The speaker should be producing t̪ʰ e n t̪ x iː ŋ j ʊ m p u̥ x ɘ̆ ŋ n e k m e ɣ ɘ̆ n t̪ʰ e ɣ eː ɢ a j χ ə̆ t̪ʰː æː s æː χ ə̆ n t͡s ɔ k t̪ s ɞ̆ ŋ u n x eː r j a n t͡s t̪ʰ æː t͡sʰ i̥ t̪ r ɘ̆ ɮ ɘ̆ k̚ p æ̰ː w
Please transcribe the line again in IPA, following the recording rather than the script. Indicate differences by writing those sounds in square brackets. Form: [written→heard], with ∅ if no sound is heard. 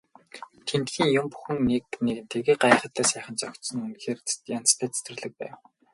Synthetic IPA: t̪ʰ e n t̪ x iː ŋ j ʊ m p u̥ x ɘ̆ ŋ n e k [m→n] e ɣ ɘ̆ n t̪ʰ e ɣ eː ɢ a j χ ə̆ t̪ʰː æː s æː χ ə̆ n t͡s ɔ k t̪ s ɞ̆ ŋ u n x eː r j a n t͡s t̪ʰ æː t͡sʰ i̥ t̪ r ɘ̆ ɮ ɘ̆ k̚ p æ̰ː w